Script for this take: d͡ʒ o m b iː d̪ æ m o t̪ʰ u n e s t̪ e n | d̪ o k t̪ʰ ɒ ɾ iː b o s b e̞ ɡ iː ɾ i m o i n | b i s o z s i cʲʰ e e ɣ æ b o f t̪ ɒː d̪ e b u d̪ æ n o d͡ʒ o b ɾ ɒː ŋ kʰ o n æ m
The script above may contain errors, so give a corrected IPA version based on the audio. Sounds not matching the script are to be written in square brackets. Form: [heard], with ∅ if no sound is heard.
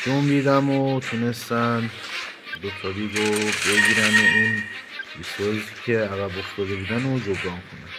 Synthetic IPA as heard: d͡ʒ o m b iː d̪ æ m o t̪ʰ u n e s t̪ [æ] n | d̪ o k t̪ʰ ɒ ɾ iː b o [∅] b e̞ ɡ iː ɾ [æ] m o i n | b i s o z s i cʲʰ e [æ] ɣ æ b o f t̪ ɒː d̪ e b u d̪ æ n o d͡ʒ o b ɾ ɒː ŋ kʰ o n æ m